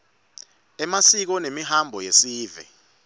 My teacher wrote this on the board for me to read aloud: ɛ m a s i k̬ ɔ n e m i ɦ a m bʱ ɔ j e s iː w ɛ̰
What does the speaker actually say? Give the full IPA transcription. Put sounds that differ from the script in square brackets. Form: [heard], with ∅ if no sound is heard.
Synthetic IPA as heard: ɛ m a s i k̬ ɔ n e m i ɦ a m bʱ ɔ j e s iː [v] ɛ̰